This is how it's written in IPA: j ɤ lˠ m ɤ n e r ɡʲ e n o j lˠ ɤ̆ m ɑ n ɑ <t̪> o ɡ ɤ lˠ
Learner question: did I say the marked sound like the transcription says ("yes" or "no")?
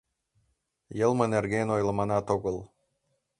yes